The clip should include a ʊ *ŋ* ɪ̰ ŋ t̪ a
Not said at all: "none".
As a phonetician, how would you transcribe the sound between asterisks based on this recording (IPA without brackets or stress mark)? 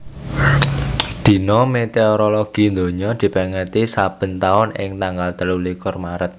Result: n